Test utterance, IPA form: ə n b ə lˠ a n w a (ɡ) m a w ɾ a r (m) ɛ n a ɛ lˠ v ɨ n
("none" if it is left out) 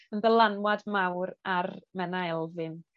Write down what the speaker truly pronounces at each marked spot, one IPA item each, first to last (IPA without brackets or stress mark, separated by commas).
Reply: d, m